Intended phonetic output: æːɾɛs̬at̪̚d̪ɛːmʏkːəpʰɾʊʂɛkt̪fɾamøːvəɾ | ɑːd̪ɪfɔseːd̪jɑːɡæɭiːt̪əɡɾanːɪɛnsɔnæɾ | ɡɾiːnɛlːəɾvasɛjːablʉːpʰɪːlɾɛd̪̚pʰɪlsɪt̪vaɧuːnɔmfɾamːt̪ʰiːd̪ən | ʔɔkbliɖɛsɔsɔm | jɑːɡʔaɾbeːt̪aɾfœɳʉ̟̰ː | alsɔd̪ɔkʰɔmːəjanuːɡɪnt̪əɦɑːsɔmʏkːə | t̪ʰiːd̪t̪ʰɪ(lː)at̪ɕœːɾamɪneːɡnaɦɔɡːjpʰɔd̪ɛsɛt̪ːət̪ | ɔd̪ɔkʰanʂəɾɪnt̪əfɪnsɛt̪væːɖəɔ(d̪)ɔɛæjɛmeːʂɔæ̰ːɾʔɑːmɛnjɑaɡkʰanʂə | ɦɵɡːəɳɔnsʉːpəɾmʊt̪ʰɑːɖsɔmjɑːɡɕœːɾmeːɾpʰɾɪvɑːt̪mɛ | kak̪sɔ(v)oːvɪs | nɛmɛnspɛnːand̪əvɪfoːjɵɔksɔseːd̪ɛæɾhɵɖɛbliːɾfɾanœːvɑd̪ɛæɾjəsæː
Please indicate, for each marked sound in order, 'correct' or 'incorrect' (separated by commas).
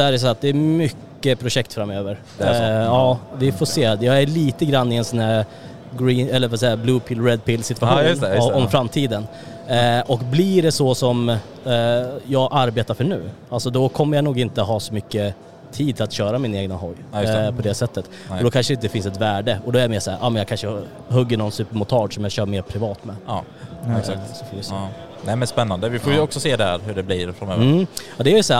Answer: incorrect, correct, incorrect